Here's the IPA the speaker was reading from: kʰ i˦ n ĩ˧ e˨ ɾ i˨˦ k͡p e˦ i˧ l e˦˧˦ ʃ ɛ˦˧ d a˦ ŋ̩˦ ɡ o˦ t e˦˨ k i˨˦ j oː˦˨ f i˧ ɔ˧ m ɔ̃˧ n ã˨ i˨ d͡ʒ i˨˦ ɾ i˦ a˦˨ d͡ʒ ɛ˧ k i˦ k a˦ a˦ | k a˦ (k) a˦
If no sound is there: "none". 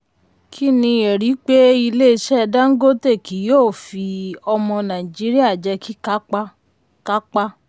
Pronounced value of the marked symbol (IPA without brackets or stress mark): k͡p